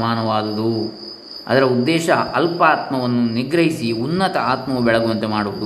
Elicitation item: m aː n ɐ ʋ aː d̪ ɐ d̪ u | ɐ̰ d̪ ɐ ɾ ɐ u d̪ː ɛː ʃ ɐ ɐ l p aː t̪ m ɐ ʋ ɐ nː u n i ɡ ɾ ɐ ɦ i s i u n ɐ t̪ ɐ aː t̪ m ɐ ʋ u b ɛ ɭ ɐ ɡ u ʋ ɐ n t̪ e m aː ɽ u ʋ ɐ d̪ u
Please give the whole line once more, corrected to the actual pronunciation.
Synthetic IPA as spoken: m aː n ɐ ʋ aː d̪ ɐ d̪ u | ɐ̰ d̪ ɐ ɾ ɐ u d̪ː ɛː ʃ ɐ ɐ l p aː t̪ m ɐ ʋ ɐ nː u n i ɡ ɾ ɐ ɦ i s i u nː ɐ t̪ ɐ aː t̪ m ɐ ʋ u b ɛ ɭ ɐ ɡ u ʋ ɐ n t̪ e m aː ɽ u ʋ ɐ d̪ u